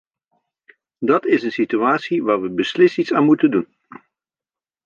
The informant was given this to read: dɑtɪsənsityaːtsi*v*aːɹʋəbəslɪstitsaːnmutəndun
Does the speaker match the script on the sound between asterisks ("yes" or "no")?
no